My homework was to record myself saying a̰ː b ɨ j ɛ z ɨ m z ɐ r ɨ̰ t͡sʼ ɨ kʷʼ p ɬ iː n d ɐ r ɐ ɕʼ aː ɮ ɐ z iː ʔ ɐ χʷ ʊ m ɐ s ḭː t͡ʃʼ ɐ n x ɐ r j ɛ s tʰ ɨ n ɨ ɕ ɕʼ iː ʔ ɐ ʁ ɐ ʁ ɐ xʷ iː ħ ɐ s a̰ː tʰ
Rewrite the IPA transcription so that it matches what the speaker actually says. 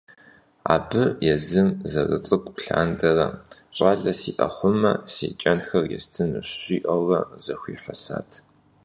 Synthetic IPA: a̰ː b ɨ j ɛ z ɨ m z ɐ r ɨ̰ t͡sʼ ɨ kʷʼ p ɬ aː n d ɐ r ɐ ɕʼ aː ɮ ɐ s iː ʔ ɐ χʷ ʊ m ɐ s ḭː t͡ʃʼ ɐ n x ɐ r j ɛ s tʰ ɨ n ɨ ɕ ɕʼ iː ʔ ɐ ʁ ɐ z ɐ xʷ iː ħ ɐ s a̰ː tʰ